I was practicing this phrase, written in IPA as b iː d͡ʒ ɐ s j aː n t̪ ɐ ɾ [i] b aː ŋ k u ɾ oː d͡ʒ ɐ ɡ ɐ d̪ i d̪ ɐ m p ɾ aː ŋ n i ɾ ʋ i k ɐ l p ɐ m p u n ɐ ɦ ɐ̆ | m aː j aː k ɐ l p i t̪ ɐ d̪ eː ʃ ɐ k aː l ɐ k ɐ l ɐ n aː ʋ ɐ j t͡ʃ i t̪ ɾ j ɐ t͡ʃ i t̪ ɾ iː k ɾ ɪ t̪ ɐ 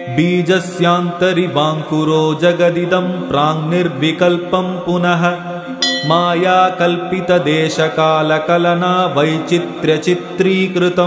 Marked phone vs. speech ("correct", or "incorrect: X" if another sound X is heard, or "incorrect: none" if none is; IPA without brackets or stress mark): correct